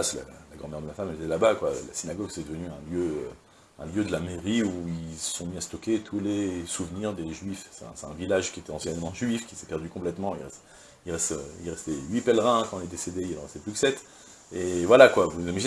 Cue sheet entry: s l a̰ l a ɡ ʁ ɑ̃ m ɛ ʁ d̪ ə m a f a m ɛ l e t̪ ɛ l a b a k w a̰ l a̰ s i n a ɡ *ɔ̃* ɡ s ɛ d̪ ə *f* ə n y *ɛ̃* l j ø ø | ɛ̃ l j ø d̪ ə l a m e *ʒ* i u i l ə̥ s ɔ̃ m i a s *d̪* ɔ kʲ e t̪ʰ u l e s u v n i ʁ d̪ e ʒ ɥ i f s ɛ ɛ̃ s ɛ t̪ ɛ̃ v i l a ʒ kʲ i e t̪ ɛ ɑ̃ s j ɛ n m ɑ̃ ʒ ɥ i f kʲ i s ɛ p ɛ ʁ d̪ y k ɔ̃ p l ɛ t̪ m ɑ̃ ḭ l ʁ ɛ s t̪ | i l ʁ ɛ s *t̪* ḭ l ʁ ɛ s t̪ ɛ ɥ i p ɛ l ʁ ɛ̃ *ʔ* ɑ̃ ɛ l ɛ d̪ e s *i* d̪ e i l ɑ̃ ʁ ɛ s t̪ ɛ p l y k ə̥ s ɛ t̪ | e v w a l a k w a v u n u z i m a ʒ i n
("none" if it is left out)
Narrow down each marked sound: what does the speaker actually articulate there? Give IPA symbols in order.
ɔ, v, ɛ̃, ʁ, t̪, t̪, k, e

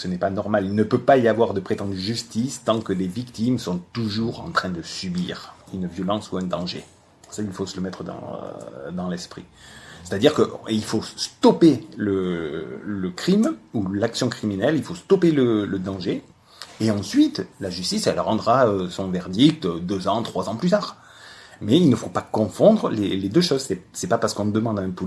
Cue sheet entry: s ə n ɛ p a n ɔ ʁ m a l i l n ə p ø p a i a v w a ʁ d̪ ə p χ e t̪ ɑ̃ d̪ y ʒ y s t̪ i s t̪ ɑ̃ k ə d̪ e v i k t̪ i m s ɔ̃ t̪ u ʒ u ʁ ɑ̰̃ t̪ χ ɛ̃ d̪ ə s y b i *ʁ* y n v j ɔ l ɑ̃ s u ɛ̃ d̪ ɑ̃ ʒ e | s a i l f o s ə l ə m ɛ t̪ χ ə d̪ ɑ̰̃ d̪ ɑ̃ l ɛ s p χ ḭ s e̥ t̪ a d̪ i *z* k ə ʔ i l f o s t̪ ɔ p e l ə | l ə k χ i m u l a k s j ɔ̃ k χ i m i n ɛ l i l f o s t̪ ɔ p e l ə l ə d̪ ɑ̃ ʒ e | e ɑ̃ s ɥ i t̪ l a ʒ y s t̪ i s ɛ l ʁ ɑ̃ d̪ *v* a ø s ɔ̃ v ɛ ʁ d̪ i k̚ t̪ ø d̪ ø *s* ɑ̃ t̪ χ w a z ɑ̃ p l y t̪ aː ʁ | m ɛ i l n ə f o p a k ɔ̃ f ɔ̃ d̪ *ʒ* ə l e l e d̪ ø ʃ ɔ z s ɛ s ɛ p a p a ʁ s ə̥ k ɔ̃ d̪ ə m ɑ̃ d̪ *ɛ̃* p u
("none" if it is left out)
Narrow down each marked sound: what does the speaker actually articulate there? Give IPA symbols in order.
ʁ, ʁ, ʁ, z, ʁ, ɛ̃

